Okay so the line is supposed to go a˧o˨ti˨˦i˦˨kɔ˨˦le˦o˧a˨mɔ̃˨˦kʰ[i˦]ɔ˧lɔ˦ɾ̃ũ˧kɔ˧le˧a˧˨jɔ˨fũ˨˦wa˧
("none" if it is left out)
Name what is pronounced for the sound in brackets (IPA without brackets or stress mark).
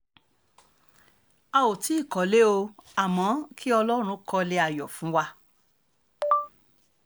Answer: i˦